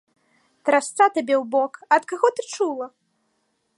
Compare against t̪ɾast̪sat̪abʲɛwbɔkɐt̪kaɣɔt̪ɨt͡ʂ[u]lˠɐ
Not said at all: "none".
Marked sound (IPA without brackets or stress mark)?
u